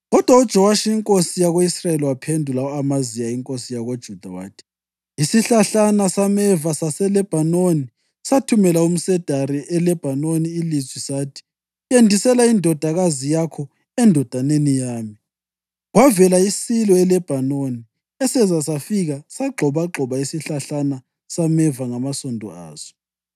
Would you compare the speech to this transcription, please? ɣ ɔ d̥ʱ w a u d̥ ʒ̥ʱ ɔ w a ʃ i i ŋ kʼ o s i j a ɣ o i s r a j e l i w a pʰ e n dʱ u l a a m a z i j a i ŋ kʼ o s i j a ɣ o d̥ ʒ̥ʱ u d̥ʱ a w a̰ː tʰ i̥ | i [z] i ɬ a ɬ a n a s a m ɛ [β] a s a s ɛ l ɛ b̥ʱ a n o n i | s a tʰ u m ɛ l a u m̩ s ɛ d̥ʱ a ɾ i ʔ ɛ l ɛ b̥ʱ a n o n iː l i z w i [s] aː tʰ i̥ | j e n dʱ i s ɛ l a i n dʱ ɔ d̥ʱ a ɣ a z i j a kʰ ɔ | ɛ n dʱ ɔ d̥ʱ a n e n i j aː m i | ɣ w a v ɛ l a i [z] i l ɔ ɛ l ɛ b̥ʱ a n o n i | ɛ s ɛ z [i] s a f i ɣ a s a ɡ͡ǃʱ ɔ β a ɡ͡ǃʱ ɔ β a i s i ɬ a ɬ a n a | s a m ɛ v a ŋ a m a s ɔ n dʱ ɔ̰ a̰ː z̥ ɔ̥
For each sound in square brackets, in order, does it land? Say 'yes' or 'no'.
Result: no, no, yes, no, no

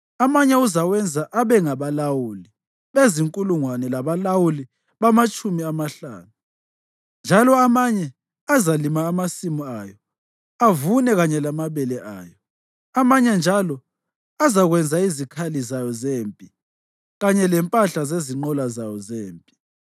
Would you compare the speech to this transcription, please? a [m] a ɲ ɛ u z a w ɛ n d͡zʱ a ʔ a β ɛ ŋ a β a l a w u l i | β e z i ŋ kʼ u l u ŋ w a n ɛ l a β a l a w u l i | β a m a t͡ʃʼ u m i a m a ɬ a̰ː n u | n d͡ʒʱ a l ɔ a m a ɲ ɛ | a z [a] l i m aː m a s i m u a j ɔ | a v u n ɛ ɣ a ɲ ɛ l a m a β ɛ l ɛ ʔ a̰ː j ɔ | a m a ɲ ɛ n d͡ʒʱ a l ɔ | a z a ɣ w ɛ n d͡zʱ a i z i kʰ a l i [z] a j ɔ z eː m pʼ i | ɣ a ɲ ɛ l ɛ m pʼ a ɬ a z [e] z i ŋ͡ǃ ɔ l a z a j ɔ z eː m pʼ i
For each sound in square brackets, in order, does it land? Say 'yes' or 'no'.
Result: yes, yes, yes, yes

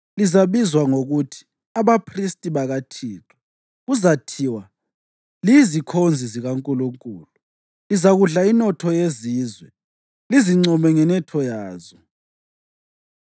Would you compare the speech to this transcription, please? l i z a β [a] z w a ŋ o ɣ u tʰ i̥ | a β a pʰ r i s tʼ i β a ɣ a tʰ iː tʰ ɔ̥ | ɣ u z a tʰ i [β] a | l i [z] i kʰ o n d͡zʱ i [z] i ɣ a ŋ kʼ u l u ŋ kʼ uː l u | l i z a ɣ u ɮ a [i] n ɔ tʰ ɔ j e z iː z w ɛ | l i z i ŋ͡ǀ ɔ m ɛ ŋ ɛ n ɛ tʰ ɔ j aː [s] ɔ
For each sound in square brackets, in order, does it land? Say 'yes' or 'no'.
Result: no, no, yes, yes, yes, no

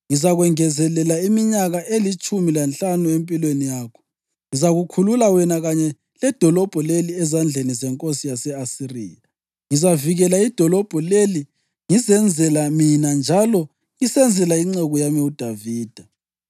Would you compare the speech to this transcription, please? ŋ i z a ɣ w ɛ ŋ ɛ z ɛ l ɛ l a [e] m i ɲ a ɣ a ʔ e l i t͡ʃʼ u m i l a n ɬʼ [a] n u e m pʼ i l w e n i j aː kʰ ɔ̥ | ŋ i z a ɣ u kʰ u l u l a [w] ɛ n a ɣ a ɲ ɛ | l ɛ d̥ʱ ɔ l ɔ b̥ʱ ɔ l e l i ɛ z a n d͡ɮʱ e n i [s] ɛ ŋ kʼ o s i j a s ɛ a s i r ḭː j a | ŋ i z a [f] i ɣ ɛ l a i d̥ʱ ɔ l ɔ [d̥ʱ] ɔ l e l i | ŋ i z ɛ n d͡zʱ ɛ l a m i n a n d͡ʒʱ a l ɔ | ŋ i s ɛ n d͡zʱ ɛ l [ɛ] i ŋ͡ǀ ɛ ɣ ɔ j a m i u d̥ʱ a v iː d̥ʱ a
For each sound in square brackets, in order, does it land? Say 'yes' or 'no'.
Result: no, yes, yes, no, no, no, no

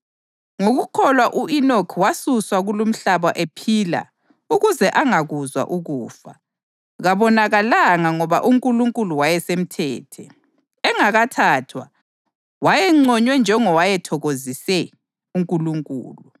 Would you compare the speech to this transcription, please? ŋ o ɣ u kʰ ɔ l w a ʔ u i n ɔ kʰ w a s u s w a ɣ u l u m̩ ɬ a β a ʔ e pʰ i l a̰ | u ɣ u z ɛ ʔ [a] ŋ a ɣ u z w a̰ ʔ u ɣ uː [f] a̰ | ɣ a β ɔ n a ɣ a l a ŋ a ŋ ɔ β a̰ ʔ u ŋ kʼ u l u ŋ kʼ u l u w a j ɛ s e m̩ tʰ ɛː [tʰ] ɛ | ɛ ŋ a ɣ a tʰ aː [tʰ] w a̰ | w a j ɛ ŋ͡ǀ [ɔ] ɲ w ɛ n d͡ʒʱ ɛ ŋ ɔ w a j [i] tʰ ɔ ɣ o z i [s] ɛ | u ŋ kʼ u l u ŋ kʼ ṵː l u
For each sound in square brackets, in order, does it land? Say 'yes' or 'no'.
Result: yes, yes, yes, yes, yes, no, yes

